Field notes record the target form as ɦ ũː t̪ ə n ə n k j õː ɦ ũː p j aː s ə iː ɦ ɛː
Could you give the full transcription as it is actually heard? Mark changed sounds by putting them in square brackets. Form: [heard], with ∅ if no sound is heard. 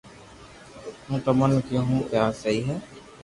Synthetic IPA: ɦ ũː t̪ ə [m] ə n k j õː ɦ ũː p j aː s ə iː ɦ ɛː